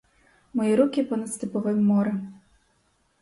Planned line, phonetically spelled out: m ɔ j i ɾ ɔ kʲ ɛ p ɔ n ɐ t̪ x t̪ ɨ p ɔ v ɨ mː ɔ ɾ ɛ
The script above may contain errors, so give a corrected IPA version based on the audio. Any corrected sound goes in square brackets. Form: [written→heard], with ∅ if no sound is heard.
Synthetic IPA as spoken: m ɔ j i ɾ [ɔ→u] kʲ [ɛ→i] p ɔ n ɐ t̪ [x→s] t̪ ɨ p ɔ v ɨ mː ɔ ɾ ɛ